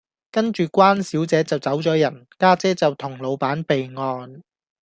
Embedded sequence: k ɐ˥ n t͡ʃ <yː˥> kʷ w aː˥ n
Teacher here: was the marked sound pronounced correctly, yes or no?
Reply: no